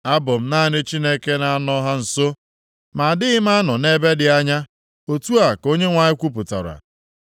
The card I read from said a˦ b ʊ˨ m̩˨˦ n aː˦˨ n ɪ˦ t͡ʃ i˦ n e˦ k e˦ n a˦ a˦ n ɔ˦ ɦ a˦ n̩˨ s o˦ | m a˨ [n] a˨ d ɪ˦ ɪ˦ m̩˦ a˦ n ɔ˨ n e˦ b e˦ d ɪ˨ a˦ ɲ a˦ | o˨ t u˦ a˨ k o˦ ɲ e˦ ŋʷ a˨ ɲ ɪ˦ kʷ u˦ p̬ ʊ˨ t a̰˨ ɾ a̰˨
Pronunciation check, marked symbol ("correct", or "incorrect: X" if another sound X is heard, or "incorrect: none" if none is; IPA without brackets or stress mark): incorrect: none